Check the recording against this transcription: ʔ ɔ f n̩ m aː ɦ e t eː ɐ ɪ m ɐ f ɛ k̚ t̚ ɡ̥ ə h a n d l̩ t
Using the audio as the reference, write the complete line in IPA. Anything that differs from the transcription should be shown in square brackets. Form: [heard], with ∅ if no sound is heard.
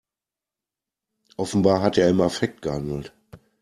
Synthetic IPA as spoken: ʔ ɔ f n̩ [b] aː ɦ [a] t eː ɐ ɪ m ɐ f ɛ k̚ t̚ ɡ̥ ə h a n d l̩ t